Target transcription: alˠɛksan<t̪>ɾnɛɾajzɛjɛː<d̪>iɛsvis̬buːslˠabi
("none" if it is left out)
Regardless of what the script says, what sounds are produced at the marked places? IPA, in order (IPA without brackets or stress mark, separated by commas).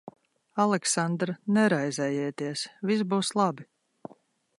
d̪, t̪